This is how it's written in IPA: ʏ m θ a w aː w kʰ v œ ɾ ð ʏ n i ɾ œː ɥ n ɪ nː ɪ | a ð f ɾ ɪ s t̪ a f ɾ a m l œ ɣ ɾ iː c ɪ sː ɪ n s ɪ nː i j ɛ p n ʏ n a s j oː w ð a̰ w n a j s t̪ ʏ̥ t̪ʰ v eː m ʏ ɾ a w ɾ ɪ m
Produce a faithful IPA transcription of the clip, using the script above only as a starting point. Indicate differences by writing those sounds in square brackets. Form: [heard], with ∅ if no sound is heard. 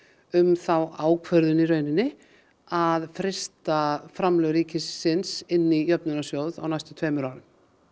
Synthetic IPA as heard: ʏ m θ a w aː w kʰ v œ ɾ ð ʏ n i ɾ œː ɥ n ɪ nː ɪ | a ð f ɾ ɪ s t̪ a f ɾ a m l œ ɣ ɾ iː c ɪ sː ɪ n s ɪ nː i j [œ] p n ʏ n a s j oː w ð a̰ w n a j s t̪ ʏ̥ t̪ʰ v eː m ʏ ɾ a w ɾ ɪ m